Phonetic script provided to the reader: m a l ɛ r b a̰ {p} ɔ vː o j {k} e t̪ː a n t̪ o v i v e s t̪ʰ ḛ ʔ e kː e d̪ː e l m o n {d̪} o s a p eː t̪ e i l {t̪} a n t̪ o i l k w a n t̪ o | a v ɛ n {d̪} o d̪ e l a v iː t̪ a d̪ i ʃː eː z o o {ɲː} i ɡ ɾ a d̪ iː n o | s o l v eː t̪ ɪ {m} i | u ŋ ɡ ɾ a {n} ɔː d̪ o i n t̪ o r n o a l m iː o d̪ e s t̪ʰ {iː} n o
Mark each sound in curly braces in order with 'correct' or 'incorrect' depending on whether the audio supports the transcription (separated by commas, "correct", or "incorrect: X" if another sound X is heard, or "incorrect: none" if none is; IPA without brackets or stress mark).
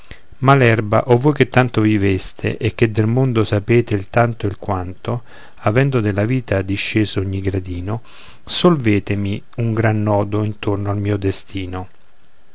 incorrect: ʔ, correct, correct, correct, correct, correct, correct, incorrect: nː, correct